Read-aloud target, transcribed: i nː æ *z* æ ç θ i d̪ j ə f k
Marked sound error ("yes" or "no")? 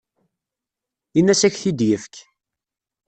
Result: yes